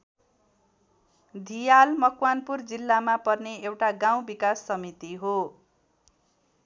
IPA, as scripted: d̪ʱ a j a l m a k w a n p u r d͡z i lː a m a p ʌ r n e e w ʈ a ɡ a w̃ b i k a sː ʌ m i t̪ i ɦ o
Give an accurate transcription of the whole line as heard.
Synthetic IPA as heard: d̪ʱ i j a l m ʌ k w a n p u r d͡z i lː a m a p ʌ r n e e w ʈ a ɡ a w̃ b i k a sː ʌ m i t̪ i ɦ o

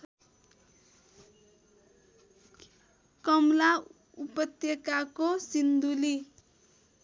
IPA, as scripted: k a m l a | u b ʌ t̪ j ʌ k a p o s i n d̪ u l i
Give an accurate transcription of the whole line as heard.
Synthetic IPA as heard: k ʌ m l a | u p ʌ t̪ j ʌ k a k o s i n d̪ u l i

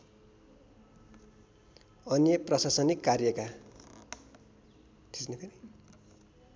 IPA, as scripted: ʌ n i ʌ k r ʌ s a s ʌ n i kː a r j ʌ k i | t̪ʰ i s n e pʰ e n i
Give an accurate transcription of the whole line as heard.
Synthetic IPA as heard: ʌ n j ʌ p r ʌ s a s ʌ n i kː a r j ʌ k a | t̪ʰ i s n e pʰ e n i

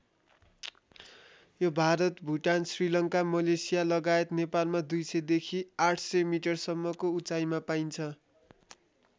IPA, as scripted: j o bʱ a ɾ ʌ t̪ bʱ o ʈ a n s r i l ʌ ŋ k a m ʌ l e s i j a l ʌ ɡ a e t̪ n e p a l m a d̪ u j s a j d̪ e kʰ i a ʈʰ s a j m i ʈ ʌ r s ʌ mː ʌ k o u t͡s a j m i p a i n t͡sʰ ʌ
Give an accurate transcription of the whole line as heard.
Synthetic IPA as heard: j o bʱ a ɾ ʌ t̪ bʱ u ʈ a n s r i l ʌ ŋ k a m ʌ l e s i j a l ʌ ɡ a e t̪ n e p a l m a d̪ u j s ʌ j d̪ e kʰ i a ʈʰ s ʌ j m i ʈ ʌ r s ʌ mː ʌ k o u t͡s a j m a p a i n t͡sʰ ʌ

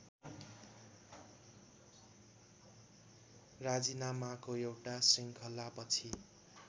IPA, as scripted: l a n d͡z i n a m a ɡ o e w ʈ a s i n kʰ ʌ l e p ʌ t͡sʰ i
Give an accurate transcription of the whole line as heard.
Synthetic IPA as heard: r a d͡z i n a m a k o e w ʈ a s i ŋ kʰ ʌ l a p ʌ t͡sʰ i

